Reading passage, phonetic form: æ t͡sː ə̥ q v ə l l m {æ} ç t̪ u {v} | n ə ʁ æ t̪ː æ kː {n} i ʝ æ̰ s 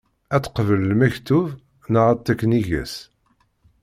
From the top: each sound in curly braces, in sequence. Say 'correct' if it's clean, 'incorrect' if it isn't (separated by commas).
correct, correct, correct